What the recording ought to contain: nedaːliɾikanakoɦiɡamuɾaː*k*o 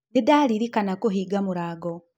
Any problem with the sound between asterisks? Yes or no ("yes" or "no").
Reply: yes